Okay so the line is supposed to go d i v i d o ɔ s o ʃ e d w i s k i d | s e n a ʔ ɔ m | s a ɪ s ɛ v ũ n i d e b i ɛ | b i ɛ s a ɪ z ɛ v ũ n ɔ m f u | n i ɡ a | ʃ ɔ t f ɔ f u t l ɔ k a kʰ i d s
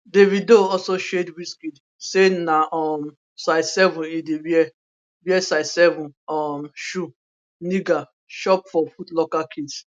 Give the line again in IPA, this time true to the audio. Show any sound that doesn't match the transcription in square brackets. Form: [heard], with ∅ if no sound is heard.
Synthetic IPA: d [e] v i d o ɔ s o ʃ e d w i s k i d | s e n a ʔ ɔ m | s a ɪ s ɛ v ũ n i d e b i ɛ | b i ɛ s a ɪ [s] ɛ v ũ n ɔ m [ʃ] u | n i ɡ a | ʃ ɔ [p] f ɔ f u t l ɔ k a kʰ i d s